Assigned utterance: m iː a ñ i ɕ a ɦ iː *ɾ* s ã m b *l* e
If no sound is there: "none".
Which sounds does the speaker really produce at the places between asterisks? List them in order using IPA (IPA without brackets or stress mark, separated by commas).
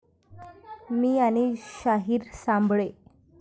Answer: ɾ, ɭ